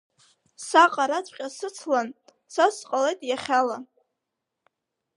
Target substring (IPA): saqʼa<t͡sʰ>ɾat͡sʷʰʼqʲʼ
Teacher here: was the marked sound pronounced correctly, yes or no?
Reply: no